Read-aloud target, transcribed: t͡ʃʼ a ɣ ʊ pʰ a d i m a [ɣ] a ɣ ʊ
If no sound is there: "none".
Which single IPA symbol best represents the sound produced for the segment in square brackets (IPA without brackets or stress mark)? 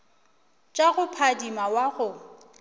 w